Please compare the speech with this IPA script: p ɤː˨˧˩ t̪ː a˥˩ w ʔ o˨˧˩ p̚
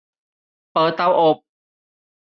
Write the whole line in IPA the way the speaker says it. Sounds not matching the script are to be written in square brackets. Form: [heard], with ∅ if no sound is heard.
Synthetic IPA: p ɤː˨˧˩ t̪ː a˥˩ w ʔ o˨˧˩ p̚